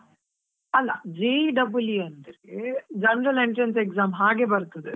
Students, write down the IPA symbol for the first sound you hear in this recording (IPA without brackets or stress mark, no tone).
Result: ɐ